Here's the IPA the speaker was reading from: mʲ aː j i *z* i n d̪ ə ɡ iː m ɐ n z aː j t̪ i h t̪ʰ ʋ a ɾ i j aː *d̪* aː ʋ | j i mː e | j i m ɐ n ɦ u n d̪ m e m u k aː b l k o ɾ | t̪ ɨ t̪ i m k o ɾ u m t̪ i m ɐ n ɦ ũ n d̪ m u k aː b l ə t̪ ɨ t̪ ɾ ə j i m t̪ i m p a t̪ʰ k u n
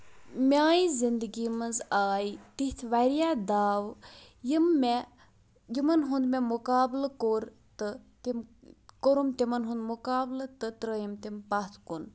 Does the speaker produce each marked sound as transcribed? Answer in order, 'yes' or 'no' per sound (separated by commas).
yes, yes